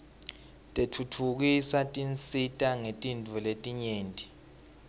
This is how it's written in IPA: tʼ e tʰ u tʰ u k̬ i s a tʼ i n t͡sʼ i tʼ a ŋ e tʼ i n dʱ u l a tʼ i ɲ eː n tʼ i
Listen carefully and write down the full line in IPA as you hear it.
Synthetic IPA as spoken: tʼ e tʰ u tʰ u k̬ i s a tʼ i n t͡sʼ i tʼ a ŋ e tʼ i n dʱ u l e tʼ i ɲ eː n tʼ i